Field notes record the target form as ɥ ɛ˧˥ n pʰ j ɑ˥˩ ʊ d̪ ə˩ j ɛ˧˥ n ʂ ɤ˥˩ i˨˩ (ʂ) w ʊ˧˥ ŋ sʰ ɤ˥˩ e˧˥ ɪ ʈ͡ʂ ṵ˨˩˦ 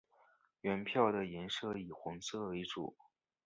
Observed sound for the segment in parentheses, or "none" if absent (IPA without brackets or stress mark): x